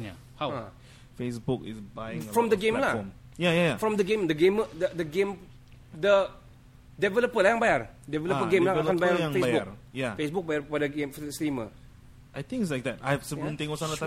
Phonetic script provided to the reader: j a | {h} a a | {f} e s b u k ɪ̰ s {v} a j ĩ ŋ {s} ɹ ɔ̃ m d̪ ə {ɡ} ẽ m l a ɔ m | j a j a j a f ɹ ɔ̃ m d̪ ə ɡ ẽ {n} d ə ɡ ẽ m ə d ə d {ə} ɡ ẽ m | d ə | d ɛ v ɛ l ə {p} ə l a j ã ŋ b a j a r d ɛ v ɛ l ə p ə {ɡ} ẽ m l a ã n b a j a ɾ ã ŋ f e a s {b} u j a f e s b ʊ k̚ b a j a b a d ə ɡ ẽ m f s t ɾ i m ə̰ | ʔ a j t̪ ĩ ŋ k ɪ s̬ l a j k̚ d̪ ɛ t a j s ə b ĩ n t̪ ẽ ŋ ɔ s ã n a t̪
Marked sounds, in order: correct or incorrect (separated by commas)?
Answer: correct, correct, incorrect, incorrect, correct, incorrect, correct, correct, correct, correct